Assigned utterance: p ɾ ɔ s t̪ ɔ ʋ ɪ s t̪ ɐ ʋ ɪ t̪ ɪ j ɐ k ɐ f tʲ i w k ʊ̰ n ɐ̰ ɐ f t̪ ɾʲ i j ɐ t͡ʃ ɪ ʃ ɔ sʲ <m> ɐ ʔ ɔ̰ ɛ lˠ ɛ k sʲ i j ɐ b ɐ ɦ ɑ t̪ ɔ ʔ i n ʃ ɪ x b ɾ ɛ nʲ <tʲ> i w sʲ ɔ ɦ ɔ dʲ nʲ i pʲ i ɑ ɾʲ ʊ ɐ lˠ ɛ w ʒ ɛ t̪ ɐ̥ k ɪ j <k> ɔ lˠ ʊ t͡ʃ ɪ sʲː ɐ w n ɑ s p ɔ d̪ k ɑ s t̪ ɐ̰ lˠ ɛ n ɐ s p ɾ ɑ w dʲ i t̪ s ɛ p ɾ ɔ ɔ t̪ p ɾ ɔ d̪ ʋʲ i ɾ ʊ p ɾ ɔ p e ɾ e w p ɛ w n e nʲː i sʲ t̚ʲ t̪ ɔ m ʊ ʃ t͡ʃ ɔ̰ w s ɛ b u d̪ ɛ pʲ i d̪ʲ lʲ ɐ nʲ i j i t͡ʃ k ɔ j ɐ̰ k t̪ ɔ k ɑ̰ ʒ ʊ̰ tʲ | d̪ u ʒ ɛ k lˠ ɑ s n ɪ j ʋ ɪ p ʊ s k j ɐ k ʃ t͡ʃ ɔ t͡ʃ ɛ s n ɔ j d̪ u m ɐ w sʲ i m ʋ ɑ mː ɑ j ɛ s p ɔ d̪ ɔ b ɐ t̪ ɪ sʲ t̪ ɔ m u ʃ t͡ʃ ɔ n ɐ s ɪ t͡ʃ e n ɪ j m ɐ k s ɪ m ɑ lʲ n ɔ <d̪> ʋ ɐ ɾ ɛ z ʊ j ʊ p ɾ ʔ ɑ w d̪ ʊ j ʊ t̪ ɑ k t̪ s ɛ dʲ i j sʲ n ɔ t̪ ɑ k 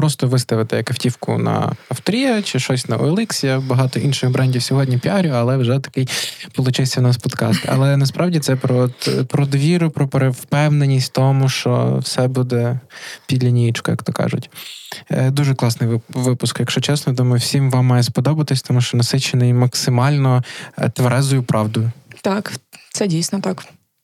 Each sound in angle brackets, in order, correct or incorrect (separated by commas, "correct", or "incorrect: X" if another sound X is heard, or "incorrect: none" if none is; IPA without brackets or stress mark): incorrect: n, incorrect: dʲ, incorrect: p, incorrect: t̪